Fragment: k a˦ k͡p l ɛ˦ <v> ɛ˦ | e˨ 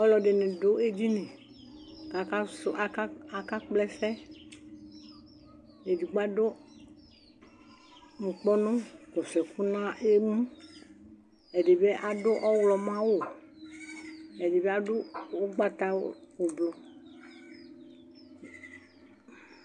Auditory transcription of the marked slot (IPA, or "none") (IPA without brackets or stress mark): f